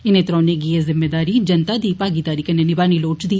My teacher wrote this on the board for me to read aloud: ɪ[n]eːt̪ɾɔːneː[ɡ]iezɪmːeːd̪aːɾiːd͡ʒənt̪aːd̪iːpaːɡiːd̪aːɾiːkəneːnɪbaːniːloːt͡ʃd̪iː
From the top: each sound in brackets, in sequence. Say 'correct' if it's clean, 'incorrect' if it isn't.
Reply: correct, correct

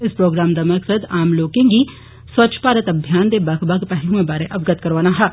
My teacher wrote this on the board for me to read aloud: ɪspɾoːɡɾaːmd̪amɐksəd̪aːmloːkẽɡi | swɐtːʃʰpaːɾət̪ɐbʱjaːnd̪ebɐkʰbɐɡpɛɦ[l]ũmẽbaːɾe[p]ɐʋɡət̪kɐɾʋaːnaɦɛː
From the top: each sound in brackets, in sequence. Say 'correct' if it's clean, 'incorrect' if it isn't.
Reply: correct, incorrect: ʔ

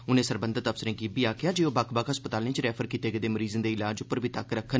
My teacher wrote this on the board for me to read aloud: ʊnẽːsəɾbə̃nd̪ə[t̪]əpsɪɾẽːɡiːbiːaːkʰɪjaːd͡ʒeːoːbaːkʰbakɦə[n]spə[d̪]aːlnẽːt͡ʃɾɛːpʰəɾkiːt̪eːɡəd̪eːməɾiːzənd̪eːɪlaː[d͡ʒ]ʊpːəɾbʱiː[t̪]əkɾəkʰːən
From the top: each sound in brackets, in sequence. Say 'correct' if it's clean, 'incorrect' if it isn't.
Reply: correct, incorrect: none, incorrect: t̪, correct, correct

